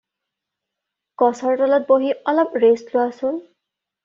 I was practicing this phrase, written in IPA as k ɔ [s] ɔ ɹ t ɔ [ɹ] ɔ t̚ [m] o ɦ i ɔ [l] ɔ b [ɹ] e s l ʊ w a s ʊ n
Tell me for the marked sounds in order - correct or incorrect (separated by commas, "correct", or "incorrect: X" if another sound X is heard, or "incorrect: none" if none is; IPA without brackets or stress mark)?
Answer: correct, incorrect: l, incorrect: b, correct, correct